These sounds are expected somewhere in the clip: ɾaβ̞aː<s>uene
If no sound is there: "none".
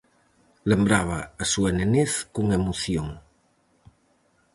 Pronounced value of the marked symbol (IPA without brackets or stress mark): s